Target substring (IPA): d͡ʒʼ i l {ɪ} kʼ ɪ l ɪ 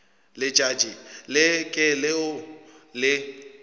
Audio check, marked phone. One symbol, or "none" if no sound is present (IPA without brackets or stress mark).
ɪ